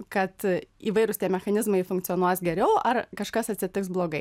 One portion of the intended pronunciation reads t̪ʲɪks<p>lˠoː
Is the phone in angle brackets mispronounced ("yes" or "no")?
yes